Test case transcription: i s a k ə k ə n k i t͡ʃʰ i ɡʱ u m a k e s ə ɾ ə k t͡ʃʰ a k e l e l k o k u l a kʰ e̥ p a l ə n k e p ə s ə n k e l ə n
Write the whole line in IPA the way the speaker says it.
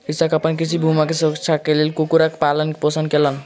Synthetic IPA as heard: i s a k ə p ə n k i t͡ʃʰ i bʱ u m a k e s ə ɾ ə k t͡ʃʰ a k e l e l k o k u ɾ a k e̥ p a l ə n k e p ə s ə n k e l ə n